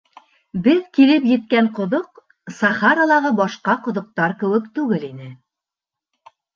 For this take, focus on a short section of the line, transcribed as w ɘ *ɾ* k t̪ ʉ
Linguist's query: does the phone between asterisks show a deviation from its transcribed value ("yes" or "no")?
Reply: yes